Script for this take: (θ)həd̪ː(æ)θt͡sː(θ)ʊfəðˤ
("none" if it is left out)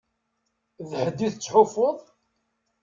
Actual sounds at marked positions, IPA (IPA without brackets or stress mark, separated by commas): ð, i, ħ